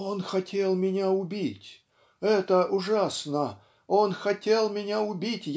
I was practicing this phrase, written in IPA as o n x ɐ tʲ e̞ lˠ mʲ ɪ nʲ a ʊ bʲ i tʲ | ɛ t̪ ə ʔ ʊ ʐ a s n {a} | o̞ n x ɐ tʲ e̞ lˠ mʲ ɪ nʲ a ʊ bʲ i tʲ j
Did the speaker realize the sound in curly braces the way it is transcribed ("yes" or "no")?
no